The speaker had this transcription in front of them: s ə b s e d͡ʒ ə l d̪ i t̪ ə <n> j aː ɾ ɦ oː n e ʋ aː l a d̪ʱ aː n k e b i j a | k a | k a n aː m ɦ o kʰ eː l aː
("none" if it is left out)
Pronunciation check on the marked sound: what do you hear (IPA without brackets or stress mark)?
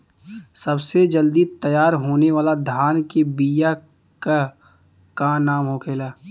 none